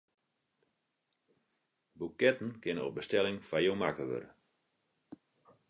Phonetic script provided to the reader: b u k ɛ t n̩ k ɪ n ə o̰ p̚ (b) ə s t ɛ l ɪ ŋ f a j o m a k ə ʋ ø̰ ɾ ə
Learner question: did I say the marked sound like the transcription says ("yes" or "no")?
yes